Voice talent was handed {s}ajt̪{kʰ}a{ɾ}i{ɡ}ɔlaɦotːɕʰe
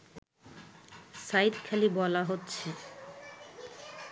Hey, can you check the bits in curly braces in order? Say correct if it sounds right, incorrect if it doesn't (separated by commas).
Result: correct, correct, incorrect, incorrect